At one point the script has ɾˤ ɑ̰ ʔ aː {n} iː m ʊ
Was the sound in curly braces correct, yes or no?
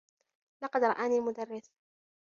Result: yes